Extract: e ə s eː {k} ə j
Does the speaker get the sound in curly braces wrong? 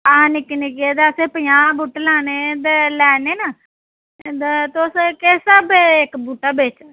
yes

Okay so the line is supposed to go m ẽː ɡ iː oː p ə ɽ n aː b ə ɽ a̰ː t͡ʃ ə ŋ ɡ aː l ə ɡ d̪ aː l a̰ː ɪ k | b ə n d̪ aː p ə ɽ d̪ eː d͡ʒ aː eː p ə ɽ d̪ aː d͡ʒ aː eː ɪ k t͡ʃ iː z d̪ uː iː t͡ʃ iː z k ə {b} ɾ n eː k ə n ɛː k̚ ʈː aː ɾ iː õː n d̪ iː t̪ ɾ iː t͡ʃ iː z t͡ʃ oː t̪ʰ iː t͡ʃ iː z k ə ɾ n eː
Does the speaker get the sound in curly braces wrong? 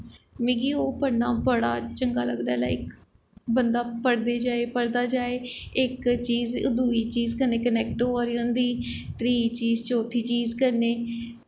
yes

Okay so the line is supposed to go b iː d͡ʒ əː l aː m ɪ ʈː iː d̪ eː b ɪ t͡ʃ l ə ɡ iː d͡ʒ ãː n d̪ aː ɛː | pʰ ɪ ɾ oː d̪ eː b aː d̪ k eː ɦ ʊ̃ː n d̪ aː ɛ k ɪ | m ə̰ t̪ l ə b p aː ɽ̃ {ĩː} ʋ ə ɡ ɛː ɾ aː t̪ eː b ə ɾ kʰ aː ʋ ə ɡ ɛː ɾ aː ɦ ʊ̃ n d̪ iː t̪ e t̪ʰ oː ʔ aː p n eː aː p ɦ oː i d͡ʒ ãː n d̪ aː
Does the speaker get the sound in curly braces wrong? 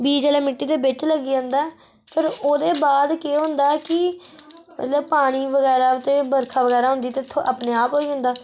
yes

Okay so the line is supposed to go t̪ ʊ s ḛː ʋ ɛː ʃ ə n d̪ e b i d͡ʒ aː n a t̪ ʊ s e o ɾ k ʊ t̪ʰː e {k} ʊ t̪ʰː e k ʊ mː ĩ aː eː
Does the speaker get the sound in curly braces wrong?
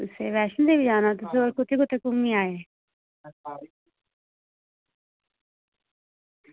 no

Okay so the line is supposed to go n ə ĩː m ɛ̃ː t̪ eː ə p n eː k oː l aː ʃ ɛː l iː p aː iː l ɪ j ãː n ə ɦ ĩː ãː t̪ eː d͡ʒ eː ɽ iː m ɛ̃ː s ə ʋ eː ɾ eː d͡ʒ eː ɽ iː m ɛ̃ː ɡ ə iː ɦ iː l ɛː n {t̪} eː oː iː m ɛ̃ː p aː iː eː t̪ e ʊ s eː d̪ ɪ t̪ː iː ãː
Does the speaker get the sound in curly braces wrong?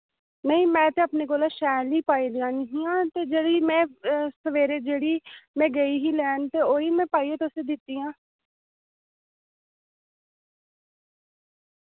no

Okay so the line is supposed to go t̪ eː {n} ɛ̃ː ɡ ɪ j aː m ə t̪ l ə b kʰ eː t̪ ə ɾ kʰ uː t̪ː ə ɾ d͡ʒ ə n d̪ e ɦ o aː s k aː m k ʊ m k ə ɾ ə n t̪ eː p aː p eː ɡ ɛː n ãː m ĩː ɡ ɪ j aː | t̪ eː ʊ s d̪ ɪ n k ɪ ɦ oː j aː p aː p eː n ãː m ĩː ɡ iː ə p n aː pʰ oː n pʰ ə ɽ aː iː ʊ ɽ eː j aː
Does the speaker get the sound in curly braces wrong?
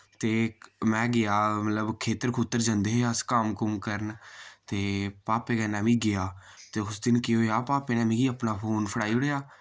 yes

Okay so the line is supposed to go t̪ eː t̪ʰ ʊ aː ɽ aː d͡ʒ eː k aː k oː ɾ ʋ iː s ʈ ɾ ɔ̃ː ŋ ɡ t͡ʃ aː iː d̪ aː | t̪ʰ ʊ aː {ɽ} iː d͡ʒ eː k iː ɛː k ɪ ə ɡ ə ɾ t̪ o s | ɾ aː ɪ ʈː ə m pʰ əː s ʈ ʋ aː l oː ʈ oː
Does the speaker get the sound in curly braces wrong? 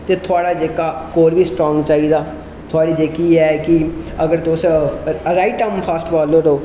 no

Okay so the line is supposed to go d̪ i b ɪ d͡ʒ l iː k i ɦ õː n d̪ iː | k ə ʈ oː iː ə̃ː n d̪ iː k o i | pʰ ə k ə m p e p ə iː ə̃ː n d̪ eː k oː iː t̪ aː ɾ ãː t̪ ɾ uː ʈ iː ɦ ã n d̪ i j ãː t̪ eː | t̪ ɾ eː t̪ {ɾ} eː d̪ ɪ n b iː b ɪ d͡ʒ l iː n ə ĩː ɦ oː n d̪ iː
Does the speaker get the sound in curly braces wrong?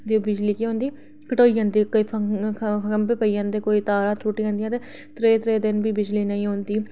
no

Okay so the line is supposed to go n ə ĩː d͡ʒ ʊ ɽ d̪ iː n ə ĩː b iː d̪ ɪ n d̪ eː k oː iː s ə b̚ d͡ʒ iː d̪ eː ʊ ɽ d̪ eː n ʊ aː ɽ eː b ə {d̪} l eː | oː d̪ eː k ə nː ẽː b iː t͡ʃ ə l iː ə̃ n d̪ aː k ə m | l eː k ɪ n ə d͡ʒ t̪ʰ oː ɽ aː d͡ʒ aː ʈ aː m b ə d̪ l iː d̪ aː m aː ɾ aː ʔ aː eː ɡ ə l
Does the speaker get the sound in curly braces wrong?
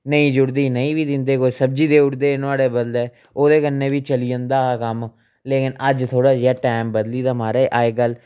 no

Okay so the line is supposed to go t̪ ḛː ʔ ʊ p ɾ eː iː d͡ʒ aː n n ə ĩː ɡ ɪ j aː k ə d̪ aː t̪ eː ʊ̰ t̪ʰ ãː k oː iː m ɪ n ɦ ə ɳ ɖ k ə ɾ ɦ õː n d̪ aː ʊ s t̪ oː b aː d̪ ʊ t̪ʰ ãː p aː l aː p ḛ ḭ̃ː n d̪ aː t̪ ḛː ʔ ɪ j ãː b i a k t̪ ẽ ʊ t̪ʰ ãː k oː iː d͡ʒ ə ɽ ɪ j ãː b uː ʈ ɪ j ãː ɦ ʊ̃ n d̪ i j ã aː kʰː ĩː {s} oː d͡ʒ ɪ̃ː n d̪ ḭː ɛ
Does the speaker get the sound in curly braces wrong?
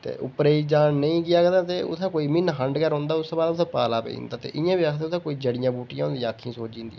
no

